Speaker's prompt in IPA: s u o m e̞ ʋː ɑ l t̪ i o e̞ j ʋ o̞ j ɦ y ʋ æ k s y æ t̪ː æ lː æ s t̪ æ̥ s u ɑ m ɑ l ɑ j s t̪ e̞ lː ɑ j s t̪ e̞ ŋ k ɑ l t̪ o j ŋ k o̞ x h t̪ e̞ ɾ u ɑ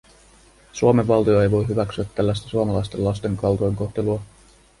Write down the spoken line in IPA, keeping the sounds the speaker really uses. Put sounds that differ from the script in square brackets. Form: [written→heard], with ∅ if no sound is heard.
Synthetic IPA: s u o m e̞ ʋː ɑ l t̪ i o e̞ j ʋ o̞ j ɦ y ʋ æ k s y æ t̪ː æ lː æ s t̪ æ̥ s u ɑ m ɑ l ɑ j s t̪ e̞ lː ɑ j s t̪ e̞ ŋ k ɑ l t̪ o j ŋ k o̞ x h t̪ e̞ [ɾ→l] u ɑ